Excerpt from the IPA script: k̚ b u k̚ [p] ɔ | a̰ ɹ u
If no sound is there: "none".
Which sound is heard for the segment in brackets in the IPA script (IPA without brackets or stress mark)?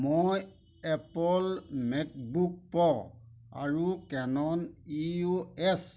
p